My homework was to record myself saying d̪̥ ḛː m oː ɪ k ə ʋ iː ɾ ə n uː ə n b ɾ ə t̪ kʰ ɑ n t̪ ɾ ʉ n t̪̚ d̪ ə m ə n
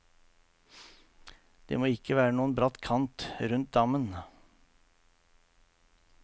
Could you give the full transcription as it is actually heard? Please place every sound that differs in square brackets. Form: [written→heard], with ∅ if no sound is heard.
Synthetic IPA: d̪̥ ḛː m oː ɪ k ə ʋ [iː→æː] ɾ ə n uː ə n b ɾ [ə→ɑ] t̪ kʰ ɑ n t̪ ɾ ʉ n t̪̚ d̪ [ə→ɑ] m ə n